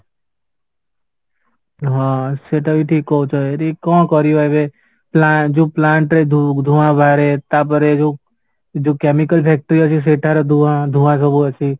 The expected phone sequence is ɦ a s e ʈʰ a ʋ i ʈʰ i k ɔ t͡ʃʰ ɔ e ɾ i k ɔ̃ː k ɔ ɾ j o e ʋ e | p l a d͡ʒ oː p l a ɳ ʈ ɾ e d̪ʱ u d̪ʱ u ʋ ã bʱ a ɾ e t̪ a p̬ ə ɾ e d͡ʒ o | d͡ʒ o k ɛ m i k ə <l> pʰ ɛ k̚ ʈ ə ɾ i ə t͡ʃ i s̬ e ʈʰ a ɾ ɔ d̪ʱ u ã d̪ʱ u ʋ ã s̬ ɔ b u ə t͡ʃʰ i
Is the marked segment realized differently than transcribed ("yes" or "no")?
no